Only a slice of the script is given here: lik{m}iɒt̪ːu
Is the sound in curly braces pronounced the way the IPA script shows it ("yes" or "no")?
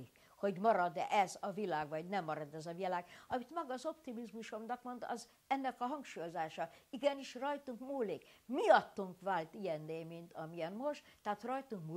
yes